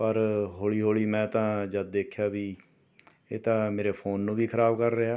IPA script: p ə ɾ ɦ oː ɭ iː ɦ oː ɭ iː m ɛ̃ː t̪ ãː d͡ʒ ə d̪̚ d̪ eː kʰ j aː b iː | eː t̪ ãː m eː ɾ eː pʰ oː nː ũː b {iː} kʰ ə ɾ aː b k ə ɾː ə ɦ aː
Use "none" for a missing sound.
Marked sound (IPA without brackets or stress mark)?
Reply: iː